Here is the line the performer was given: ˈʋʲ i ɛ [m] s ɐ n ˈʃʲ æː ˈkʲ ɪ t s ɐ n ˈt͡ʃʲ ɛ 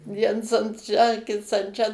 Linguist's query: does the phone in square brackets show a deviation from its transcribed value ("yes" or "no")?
yes